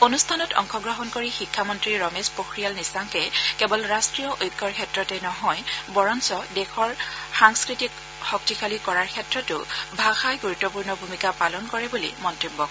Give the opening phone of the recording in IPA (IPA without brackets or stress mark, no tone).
o